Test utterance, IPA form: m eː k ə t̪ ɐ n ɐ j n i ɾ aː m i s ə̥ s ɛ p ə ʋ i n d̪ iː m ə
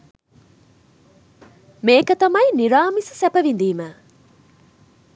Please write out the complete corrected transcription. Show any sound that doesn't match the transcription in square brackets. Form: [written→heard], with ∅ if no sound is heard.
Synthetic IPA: m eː k ə t̪ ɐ [n→m] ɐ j n i ɾ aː m i s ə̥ s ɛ p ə ʋ i n d̪ iː m ə